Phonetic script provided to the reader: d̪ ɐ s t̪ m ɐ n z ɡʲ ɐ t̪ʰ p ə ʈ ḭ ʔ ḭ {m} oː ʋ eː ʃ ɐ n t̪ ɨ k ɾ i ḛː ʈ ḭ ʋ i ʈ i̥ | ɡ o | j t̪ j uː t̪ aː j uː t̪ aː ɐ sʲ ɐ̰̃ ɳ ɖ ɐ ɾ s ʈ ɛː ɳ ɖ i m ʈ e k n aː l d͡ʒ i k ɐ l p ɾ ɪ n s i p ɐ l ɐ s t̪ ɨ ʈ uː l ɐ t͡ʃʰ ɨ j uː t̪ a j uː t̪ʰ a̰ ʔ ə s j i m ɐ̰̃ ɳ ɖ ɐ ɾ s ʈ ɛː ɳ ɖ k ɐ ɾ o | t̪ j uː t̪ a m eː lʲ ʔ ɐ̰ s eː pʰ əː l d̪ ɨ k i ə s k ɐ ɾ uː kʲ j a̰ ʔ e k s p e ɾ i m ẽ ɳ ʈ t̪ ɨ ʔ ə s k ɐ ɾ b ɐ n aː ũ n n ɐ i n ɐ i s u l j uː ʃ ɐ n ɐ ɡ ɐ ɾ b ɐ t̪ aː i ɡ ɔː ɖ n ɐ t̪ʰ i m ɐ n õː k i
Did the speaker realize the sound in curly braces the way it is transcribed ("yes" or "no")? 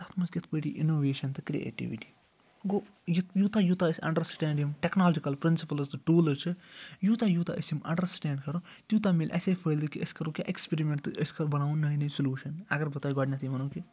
no